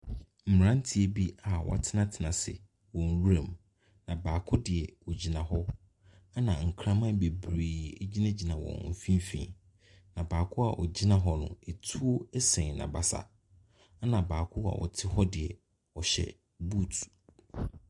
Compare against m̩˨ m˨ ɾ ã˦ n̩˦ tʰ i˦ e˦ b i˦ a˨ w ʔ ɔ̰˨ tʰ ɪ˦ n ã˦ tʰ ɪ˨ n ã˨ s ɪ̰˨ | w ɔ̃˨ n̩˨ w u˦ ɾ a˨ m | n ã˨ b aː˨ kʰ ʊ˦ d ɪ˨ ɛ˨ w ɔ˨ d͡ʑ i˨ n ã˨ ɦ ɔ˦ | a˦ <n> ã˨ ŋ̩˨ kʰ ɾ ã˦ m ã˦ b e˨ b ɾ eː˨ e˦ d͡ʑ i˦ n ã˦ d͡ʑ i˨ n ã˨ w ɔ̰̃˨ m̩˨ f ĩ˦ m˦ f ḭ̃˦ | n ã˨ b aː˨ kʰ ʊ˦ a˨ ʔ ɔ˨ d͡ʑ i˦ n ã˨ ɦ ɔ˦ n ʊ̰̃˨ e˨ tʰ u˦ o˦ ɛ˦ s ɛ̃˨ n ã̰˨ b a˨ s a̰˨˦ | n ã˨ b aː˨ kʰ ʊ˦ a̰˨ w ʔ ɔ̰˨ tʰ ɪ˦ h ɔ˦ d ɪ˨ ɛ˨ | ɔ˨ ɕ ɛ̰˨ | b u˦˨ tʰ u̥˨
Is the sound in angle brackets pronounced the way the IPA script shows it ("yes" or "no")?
yes